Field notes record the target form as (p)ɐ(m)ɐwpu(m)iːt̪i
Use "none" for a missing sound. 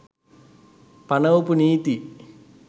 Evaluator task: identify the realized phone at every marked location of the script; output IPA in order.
p, n, n

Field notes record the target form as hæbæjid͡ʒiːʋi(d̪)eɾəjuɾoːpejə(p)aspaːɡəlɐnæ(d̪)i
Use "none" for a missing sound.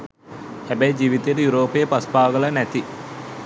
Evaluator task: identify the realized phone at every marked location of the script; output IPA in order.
t̪, p, t̪

